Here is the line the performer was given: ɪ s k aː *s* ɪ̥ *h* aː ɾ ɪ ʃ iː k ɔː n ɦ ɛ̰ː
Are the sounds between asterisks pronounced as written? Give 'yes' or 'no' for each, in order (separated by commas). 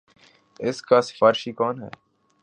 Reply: yes, no